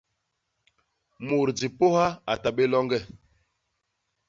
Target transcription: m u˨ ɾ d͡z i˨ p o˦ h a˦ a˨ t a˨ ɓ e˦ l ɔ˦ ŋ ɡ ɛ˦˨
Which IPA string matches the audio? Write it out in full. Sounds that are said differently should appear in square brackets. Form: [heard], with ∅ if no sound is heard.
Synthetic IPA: m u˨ ɾ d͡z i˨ p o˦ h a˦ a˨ t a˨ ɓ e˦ l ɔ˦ ŋ ɡ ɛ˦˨